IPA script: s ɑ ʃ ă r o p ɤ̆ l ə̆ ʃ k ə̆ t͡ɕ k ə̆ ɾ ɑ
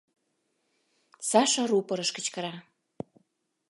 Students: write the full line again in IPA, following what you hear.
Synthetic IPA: s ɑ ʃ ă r u p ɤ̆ ɾ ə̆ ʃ k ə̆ t͡ɕ k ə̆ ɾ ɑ